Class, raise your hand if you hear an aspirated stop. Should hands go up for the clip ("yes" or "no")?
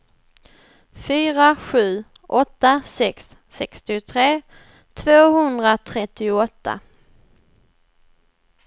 yes